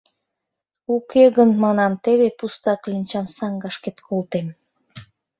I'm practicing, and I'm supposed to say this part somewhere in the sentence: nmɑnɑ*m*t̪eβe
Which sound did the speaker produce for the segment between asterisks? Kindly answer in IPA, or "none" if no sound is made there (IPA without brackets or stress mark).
m